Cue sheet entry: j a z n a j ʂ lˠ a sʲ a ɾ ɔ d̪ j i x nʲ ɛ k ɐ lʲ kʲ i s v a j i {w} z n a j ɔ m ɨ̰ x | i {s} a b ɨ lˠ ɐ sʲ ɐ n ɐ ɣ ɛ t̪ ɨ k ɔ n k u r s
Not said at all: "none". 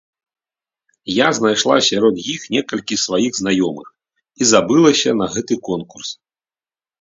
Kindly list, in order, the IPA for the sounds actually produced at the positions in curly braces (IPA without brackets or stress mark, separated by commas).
ɣ, z